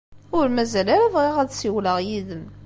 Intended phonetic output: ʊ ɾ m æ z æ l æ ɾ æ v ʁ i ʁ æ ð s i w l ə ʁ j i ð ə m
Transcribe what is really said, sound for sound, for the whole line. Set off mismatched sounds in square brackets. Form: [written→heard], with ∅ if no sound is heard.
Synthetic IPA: ʊ ɾ m æ z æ l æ ɾ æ v ʁ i ʁ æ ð s i w l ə ʁ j i ð ə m